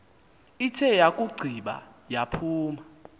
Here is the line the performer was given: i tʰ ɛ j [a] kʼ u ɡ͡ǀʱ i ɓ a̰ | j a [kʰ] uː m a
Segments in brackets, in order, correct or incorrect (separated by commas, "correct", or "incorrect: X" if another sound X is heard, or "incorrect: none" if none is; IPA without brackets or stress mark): correct, incorrect: pʰ